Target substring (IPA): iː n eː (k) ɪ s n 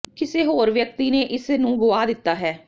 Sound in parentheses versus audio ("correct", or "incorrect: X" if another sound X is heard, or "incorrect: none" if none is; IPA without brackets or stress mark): incorrect: ʔ